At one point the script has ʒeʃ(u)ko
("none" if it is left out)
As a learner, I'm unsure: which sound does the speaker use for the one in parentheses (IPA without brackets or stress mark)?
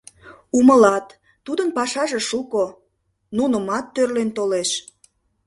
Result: u